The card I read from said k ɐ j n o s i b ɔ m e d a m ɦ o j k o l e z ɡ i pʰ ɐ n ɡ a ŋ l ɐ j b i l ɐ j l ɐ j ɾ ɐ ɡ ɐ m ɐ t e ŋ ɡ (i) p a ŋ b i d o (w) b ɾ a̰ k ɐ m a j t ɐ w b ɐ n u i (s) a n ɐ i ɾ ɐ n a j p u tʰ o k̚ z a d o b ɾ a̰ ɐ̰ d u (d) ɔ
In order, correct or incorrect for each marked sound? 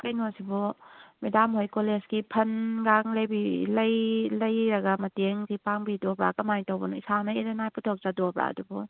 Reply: correct, incorrect: none, correct, incorrect: b

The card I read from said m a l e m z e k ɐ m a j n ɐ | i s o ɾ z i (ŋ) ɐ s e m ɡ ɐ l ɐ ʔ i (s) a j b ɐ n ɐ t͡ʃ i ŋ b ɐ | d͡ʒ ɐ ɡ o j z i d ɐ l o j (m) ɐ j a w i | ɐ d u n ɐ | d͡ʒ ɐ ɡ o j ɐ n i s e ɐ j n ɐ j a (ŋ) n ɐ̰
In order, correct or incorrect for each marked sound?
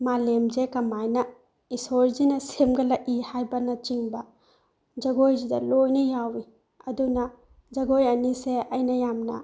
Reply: incorrect: n, incorrect: h, incorrect: n, incorrect: m

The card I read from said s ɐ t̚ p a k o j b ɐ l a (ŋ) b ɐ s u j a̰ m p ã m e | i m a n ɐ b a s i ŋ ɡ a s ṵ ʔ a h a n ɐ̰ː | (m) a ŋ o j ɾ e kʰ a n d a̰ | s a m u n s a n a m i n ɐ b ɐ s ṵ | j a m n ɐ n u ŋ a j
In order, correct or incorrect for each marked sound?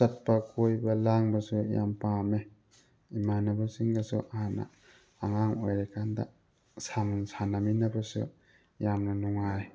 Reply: correct, incorrect: ŋ

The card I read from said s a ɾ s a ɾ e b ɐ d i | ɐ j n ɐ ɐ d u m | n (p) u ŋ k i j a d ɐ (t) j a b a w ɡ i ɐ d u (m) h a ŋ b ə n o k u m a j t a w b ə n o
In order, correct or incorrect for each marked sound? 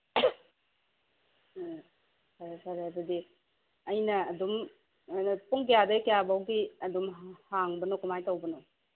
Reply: correct, incorrect: k, correct

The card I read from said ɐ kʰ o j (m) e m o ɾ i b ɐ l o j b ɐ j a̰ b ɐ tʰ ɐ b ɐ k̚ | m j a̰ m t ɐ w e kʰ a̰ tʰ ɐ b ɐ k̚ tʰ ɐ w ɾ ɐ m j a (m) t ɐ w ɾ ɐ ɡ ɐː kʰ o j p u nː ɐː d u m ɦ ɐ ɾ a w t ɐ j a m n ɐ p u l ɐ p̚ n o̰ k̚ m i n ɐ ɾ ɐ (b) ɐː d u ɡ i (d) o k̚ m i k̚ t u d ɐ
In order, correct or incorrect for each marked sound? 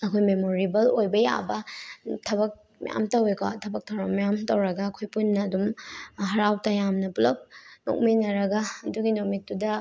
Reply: correct, correct, incorrect: ɡ, incorrect: n

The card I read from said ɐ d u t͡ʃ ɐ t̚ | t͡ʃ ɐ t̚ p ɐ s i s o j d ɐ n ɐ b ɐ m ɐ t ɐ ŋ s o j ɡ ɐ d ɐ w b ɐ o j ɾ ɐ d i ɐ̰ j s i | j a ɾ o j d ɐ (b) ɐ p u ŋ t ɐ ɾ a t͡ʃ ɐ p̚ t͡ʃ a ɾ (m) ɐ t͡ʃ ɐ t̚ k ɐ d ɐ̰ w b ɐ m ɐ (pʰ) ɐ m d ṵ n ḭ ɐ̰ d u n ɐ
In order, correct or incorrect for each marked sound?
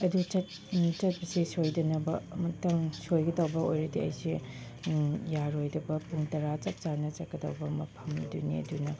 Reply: correct, incorrect: n, correct

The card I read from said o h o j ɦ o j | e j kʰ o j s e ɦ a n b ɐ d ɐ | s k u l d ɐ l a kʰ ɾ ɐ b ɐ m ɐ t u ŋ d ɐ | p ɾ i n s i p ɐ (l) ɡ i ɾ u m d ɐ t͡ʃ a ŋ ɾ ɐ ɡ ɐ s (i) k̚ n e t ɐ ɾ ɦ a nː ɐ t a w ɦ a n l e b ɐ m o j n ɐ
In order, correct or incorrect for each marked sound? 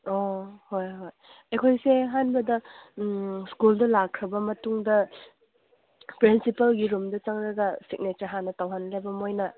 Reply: correct, correct

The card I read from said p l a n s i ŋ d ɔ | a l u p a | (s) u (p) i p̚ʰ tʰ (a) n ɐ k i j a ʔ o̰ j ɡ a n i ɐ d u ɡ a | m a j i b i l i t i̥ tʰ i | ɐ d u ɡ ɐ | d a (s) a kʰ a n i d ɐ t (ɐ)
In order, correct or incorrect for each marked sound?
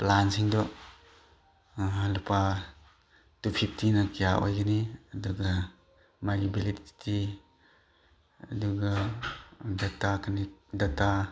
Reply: incorrect: t, incorrect: pʰ, incorrect: i, incorrect: t, incorrect: a

